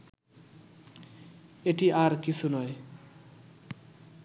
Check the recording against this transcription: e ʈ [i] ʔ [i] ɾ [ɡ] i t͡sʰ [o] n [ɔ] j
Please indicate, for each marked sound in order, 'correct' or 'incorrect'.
correct, incorrect: a, incorrect: k, incorrect: u, correct

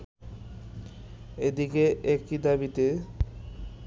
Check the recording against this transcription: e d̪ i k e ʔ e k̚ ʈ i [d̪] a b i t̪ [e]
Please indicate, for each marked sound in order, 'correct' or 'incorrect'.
correct, correct

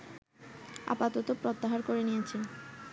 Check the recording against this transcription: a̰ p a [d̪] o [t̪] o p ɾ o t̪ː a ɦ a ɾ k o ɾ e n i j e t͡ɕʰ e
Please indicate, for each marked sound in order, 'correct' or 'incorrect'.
incorrect: t̪, correct

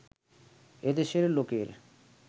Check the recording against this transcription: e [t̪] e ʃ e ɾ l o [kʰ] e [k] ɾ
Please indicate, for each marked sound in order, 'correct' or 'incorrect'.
incorrect: d̪, incorrect: k, incorrect: none

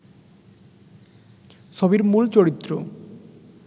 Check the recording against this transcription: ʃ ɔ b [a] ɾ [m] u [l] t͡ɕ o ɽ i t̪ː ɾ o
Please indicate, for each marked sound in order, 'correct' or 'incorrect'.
incorrect: i, correct, correct

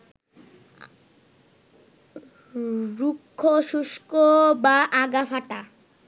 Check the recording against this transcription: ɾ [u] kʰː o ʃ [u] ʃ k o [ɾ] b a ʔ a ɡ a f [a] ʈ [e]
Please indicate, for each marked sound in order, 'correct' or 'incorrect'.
correct, correct, incorrect: none, correct, incorrect: a

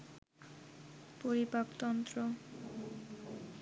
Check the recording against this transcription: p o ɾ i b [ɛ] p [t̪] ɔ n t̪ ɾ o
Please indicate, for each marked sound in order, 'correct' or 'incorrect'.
incorrect: a, correct

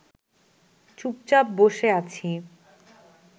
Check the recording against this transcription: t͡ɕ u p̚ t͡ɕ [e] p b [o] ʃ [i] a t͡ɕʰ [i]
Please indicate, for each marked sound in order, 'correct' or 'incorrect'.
incorrect: a, correct, incorrect: e, correct

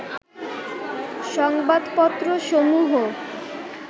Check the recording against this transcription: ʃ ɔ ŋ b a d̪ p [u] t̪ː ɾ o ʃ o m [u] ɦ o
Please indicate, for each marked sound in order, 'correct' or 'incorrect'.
incorrect: ɔ, correct

